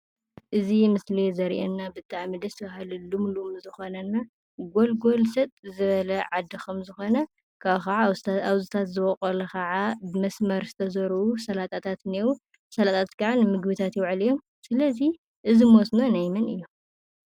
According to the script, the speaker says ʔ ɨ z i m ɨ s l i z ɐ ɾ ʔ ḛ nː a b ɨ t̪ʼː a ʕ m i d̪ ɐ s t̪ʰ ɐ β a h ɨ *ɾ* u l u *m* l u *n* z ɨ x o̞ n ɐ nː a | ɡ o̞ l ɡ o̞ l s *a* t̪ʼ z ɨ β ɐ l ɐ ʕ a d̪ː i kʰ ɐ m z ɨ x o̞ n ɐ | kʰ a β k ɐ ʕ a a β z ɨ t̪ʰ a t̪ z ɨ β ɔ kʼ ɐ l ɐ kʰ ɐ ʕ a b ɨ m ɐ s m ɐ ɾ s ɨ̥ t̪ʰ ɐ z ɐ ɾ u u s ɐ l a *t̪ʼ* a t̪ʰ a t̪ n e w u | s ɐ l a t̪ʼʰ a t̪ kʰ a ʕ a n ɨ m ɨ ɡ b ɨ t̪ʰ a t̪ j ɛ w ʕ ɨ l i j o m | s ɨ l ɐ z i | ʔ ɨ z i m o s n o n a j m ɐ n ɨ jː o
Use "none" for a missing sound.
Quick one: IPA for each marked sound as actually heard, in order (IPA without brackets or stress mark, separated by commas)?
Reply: l, m, m, ɐ, t̪ʼ